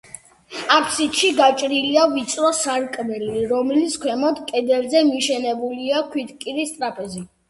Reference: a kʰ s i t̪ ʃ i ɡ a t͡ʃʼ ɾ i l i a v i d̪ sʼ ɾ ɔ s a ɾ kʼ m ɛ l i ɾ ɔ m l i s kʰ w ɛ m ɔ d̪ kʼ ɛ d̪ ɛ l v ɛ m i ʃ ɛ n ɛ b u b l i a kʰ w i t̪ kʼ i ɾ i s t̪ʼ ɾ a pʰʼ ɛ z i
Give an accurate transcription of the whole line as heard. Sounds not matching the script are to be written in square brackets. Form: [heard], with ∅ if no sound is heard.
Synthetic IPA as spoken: a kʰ s i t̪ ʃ i ɡ a t͡ʃʼ ɾ i l i a v i [t̪] sʼ ɾ ɔ s a ɾ kʼ m ɛ l i ɾ ɔ m l i s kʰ w ɛ m ɔ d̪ kʼ ɛ d̪ ɛ l [z] ɛ m i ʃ ɛ n ɛ b u [∅] l i a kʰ w i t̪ kʼ i ɾ i s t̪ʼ ɾ a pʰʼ ɛ z i

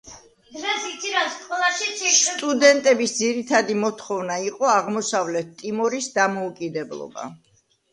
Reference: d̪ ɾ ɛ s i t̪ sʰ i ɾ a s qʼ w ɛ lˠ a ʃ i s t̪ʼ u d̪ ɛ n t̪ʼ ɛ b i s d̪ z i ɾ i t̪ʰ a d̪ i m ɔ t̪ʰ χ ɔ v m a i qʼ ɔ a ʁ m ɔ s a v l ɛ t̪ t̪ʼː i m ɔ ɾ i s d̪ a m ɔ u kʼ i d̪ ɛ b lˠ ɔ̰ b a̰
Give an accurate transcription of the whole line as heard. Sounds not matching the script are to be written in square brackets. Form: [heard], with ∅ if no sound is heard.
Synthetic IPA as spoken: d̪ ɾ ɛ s i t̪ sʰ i ɾ a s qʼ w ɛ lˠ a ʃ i s t̪ʼ u d̪ ɛ n t̪ʼ ɛ b i s d̪ z i ɾ i t̪ʰ a d̪ i m ɔ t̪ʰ χ ɔ v [n] a i qʼ ɔ a ʁ m ɔ s a v l ɛ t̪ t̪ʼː i m ɔ ɾ i s d̪ a m ɔ u kʼ i d̪ ɛ b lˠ ɔ̰ b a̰

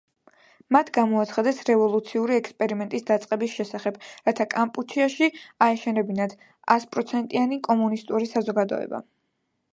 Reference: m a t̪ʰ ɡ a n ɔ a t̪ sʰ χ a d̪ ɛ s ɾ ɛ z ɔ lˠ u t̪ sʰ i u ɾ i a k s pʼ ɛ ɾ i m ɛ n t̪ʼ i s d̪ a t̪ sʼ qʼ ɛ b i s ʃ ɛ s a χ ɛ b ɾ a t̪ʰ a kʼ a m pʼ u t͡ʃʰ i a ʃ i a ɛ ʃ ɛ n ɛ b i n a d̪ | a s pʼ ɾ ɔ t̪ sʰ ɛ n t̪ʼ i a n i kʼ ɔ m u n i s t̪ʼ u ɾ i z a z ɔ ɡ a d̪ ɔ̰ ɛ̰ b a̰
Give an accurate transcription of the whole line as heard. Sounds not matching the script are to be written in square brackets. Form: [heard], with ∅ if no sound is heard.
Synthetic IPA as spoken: m a t̪ʰ ɡ a [m] ɔ a t̪ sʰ χ a d̪ ɛ s ɾ ɛ [v] ɔ lˠ u t̪ sʰ i u ɾ i [ɛ] k s pʼ ɛ ɾ i m ɛ n t̪ʼ i s d̪ a t̪ sʼ qʼ ɛ b i s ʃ ɛ s a χ ɛ b ɾ a t̪ʰ a kʼ a m pʼ u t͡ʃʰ i a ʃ i a ɛ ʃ ɛ n ɛ b i n a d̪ | a s pʼ ɾ ɔ t̪ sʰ ɛ n t̪ʼ i a n i kʼ ɔ m u n i s t̪ʼ u ɾ i [s] a z ɔ ɡ a d̪ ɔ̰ ɛ̰ b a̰

